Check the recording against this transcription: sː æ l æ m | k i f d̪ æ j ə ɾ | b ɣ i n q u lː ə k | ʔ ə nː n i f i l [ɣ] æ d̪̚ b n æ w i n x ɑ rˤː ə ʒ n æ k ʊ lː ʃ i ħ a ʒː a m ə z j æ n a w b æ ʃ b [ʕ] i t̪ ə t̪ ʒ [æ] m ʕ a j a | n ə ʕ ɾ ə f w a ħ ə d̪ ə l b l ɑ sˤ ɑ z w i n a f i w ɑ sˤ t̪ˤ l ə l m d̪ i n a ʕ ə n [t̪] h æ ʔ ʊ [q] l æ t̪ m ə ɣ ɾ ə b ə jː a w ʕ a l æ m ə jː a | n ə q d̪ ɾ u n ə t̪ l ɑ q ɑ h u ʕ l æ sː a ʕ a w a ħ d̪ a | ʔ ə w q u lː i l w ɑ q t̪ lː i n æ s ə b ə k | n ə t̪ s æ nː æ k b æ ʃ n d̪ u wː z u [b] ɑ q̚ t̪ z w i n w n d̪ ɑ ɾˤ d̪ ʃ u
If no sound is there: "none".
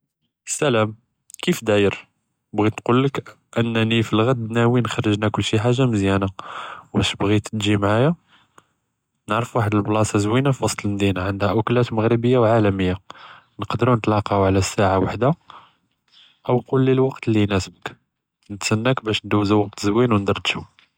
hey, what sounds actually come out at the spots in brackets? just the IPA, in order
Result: ɣ, ɣ, i, d̪, k, w

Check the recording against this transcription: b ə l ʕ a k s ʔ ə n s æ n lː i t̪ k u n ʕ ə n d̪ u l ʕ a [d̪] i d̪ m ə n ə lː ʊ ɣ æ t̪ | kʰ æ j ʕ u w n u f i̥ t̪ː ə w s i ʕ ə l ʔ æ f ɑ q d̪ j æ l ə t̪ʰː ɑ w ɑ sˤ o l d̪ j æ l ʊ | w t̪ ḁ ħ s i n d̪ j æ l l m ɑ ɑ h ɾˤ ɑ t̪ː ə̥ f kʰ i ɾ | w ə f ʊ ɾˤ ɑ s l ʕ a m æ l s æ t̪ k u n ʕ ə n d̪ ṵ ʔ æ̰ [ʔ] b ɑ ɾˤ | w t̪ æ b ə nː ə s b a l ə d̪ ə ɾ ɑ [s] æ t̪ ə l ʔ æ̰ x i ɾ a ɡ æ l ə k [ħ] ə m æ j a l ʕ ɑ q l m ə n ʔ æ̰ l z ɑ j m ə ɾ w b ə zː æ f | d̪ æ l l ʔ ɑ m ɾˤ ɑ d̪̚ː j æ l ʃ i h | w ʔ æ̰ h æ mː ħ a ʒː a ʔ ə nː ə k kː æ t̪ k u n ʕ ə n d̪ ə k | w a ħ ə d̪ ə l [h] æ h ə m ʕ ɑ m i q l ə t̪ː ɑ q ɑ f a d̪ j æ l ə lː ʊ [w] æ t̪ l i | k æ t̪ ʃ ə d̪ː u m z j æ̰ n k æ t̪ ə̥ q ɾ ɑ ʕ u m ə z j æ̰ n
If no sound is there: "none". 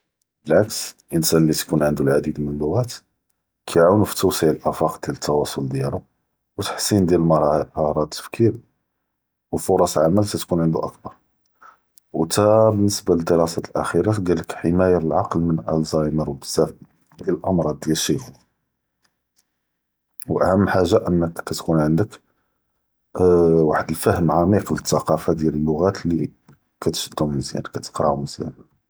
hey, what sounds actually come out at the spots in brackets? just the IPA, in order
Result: d̪, k, s, ħ, f, ɣ

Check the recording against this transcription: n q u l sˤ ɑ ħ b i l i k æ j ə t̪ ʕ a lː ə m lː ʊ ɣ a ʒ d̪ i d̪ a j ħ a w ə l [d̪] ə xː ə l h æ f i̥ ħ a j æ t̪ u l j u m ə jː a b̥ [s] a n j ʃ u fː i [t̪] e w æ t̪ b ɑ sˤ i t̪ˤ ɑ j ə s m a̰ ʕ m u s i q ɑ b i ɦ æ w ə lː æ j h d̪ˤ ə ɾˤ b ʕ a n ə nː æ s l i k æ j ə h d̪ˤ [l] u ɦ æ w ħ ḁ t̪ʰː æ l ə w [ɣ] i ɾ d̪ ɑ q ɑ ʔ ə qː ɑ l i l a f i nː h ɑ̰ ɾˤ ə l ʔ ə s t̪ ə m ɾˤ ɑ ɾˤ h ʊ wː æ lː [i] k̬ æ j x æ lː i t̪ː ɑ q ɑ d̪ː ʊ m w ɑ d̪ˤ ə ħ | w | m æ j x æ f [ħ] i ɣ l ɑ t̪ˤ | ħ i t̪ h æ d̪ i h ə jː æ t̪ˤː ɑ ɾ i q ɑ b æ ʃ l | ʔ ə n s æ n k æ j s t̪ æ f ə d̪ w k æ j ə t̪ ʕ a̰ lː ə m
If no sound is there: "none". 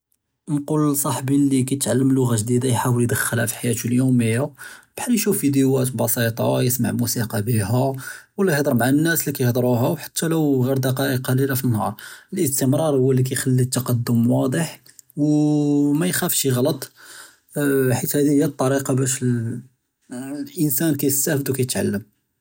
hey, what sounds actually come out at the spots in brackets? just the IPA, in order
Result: d̪, ħ, d̪, ɾ, ɣ, i, ʃ

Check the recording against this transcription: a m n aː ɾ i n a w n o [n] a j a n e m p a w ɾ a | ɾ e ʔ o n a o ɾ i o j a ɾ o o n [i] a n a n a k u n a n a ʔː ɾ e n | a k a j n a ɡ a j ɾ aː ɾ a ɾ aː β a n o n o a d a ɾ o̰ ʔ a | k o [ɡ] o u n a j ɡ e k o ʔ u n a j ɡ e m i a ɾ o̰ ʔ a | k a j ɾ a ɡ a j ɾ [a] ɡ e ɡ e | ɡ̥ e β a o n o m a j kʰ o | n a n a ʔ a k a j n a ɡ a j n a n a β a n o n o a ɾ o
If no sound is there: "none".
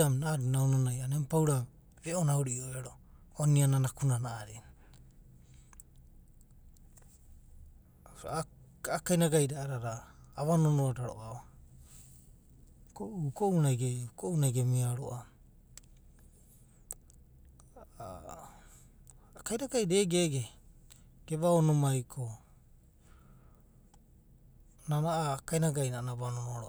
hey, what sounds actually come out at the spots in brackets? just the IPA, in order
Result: n, i, k, e

